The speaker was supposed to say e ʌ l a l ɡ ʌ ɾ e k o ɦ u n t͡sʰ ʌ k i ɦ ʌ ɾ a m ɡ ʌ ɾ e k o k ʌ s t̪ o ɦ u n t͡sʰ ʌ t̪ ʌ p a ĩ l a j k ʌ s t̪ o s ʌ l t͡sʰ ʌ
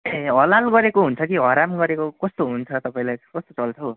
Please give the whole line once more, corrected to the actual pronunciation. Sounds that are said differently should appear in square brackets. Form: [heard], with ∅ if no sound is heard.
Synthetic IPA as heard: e ʌ l a l ɡ ʌ ɾ e k o ɦ u n t͡sʰ ʌ k i ɦ ʌ ɾ a m ɡ ʌ ɾ e k o k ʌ s t̪ o ɦ u n t͡sʰ ʌ t̪ ʌ p a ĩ l a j k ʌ s t̪ o [t͡s] ʌ l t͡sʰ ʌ